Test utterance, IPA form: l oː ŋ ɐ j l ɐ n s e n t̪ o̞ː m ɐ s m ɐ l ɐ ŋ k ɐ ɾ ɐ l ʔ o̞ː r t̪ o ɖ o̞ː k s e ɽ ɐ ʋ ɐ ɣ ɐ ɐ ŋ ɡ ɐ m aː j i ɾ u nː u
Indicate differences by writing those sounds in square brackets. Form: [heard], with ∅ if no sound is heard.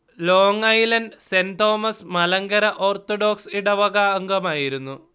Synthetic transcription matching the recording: l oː ŋ ɐ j l ɐ n s e n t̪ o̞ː m ɐ s m ɐ l ɐ ŋ [ɡ] ɐ ɾ ɐ [∅] ʔ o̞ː r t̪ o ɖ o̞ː k s [i] ɽ ɐ ʋ ɐ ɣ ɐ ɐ ŋ ɡ ɐ m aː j i ɾ u nː u